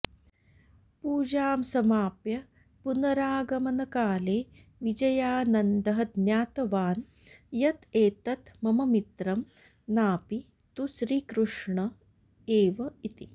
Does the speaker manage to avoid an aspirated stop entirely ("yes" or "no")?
yes